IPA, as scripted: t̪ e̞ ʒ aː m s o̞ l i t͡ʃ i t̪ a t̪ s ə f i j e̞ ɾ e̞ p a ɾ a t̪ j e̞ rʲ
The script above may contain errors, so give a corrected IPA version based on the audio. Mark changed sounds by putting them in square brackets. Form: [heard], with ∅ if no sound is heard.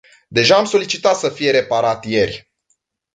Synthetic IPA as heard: [d̪] e̞ ʒ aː m s o̞ l i t͡ʃ i t̪ a t̪ s ə f i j e̞ ɾ e̞ p a ɾ a t̪ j e̞ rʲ

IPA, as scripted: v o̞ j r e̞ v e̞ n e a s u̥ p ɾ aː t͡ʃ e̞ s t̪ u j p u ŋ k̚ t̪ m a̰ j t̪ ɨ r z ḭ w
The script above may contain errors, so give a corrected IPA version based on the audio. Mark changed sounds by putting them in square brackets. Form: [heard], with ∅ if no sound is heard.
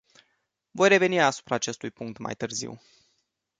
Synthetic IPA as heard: v o̞ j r e̞ v e̞ n [i] a s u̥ p ɾ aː t͡ʃ e̞ s t̪ u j p u ŋ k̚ t̪ m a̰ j t̪ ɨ r z ḭ w

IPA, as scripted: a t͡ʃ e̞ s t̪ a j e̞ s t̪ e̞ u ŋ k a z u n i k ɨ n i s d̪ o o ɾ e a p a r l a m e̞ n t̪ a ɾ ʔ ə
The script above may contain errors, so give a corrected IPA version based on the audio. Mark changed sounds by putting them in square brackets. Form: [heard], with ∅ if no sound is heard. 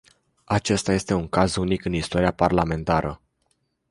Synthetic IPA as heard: a t͡ʃ e̞ s t̪ a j e̞ s t̪ e̞ u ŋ k a z u n i k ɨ n i s [t̪] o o ɾ [i] a p a r l a m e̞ n t̪ a ɾ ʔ ə

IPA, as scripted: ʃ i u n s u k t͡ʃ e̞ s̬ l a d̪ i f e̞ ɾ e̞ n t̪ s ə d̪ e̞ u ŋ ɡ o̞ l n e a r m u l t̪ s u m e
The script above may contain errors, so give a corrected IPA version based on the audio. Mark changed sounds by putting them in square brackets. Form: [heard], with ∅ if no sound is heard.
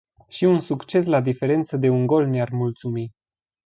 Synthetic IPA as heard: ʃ i u n s u k t͡ʃ e̞ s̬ l a d̪ i f e̞ ɾ e̞ n t̪ s ə d̪ e̞ u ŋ ɡ o̞ l n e a r m u l t̪ s u m [i]

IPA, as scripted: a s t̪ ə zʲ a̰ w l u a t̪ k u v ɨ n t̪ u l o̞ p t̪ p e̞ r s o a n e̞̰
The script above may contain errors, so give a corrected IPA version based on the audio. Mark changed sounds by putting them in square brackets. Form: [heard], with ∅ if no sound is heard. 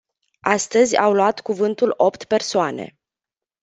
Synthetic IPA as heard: a s t̪ ə zʲ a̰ w l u a t̪ k u v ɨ n t̪ u l o̞ p t̪ p e̞ r s o a n e̞̰

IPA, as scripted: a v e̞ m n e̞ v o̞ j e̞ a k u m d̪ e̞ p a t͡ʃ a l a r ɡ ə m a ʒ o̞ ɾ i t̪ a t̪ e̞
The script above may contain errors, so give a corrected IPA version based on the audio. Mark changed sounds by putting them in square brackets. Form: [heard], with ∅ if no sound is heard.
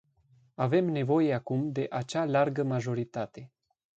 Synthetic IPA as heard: a v e̞ m n e̞ v o̞ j e̞ a k u m d̪ e̞ [ʔ] a t͡ʃ a l a r ɡ ə m a ʒ o̞ ɾ i t̪ a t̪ e̞

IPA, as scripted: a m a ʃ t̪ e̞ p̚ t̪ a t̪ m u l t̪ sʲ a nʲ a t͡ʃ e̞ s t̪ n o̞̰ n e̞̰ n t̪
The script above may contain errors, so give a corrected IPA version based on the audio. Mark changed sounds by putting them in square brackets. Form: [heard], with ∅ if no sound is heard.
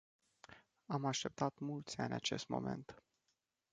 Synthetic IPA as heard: a m a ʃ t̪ e̞ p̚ t̪ a t̪ m u l t̪ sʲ a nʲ a t͡ʃ e̞ s t̪ [m] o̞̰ [m] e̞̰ n t̪

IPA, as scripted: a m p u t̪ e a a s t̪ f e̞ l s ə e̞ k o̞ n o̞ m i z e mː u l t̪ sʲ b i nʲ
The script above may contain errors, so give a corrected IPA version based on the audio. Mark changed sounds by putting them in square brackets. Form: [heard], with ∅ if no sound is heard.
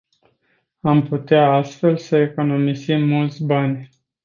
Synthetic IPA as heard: a m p u t̪ e a a s t̪ f e̞ l s ə e̞ k o̞ n o̞ m i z [i] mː u l t̪ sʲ b [a] nʲ

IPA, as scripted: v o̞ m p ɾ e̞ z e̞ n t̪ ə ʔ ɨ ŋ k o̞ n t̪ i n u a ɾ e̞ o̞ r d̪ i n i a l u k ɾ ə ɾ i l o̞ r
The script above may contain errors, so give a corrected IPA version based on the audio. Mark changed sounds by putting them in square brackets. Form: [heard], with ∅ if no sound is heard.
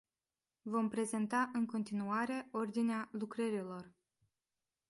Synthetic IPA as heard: v o̞ m p ɾ e̞ z e̞ n t̪ [a] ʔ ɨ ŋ k o̞ n t̪ i n u a ɾ e̞ o̞ r d̪ i n [e] a l u k ɾ ə ɾ i l o̞ r

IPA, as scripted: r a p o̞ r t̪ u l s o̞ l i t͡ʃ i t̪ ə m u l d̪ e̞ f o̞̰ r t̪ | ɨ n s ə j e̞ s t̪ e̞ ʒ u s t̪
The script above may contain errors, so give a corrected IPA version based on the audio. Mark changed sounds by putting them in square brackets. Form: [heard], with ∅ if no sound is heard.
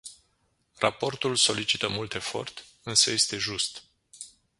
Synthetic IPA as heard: r a p o̞ r t̪ u l s o̞ l i t͡ʃ i t̪ ə m u l [t̪] e̞ f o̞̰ r t̪ | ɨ n s ə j e̞ s t̪ e̞ ʒ u s t̪

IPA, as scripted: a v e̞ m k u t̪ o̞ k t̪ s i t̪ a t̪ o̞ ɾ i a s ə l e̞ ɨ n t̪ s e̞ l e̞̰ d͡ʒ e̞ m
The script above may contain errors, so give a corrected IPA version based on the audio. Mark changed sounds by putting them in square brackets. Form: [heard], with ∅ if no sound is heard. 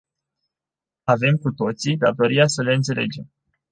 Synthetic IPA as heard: a v e̞ m k u t̪ o̞ [∅] t̪ s i [d̪] a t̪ o̞ ɾ i a s ə l e̞ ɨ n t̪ s e̞ l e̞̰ d͡ʒ e̞ m

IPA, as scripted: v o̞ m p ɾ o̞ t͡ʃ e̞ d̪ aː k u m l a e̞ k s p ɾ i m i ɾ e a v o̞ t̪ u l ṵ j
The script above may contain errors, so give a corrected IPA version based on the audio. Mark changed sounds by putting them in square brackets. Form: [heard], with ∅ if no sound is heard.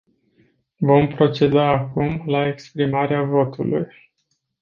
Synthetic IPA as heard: v o̞ m p ɾ o̞ t͡ʃ e̞ d̪ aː k u m l a e̞ k s p ɾ i m [a] ɾ e a v o̞ t̪ u l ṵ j

